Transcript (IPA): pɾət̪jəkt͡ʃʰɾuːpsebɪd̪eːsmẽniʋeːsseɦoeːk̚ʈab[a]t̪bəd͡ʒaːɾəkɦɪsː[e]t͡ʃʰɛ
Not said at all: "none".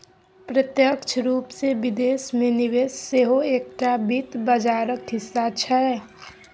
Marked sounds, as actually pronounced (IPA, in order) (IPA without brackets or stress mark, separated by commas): i, a